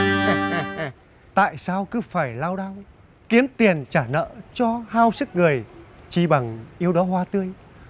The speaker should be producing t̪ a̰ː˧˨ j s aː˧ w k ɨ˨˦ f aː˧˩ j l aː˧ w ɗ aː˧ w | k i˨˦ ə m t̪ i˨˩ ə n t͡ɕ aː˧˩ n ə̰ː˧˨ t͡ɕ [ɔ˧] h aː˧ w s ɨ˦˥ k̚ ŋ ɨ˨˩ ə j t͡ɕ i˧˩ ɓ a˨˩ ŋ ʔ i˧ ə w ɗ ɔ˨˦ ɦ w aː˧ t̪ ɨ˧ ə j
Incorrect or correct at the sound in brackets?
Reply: correct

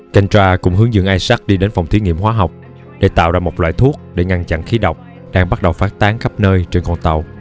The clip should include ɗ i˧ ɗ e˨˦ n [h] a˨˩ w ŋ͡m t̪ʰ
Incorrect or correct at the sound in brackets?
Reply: incorrect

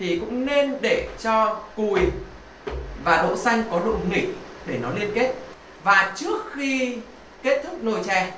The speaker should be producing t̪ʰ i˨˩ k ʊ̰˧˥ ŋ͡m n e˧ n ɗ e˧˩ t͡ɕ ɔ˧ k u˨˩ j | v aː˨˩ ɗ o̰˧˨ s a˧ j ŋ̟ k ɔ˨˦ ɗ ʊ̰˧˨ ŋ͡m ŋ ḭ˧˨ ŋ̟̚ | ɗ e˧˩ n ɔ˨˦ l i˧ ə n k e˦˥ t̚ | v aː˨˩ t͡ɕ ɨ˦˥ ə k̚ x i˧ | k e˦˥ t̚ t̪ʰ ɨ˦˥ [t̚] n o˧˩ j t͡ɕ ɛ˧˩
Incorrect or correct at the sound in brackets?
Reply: incorrect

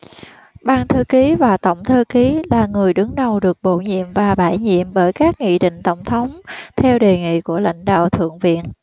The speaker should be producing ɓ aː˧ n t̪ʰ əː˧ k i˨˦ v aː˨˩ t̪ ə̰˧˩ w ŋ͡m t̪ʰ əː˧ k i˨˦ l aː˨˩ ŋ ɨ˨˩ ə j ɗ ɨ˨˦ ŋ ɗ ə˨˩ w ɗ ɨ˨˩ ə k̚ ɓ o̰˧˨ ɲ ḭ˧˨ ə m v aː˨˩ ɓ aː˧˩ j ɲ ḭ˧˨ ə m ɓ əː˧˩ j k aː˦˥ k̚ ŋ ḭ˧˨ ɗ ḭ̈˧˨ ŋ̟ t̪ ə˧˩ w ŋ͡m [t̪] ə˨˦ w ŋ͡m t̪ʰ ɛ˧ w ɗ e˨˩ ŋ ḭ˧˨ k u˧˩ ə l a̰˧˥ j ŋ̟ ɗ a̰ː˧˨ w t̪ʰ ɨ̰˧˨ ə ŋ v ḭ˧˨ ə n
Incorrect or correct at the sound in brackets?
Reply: incorrect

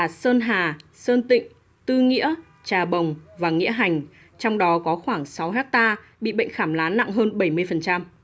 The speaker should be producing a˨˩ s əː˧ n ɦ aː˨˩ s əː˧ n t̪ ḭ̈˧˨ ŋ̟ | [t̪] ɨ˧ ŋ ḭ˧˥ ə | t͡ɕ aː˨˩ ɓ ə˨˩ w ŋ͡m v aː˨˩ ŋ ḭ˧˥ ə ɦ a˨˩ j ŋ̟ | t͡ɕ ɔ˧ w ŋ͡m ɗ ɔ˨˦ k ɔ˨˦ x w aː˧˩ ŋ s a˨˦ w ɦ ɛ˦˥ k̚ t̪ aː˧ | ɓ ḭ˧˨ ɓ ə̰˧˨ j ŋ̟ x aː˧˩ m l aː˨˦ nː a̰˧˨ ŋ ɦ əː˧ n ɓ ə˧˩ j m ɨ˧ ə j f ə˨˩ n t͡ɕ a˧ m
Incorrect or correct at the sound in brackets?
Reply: correct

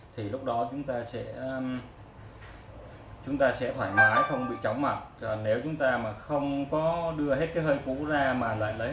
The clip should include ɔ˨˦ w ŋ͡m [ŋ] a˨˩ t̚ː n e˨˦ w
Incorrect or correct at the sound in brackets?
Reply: incorrect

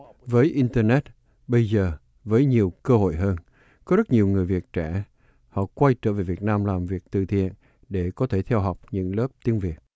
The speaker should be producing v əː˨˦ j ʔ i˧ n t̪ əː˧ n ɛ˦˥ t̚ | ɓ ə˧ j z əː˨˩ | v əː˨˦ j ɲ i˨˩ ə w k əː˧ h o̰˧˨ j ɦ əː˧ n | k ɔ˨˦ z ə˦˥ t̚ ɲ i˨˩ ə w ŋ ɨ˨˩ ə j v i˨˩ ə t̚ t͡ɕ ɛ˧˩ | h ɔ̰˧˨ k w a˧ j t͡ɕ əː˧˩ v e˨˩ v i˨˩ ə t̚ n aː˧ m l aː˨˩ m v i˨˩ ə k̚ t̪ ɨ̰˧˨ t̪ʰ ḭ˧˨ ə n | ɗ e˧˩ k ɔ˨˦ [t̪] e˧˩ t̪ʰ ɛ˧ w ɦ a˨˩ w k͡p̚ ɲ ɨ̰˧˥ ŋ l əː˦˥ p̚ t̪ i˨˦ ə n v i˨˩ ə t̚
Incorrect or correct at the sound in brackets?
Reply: incorrect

